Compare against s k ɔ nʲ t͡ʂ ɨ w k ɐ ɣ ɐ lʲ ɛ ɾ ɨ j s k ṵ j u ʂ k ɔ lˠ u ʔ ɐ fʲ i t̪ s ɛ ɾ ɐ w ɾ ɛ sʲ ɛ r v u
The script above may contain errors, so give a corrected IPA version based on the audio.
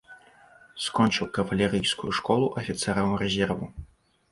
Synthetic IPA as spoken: s k ɔ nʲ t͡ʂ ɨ w k ɐ v ɐ lʲ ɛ ɾ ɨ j s k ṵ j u ʂ k ɔ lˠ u ʔ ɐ fʲ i t̪ s ɛ ɾ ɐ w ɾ ɛ zʲ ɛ r v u